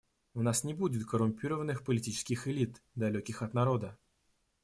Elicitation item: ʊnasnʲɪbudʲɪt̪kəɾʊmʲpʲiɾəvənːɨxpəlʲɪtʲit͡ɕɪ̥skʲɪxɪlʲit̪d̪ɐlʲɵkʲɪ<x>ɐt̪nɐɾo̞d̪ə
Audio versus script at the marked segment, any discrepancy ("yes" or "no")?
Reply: no